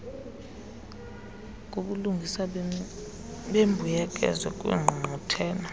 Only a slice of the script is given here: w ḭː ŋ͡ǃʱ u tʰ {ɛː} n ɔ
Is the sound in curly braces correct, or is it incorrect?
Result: correct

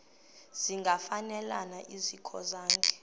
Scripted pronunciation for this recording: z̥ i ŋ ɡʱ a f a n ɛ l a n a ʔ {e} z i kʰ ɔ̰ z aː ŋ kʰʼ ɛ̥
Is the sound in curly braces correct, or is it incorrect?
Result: incorrect: i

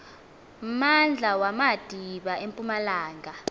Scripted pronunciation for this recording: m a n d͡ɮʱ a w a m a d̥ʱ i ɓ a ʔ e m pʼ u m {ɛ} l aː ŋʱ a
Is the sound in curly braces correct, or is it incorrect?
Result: incorrect: a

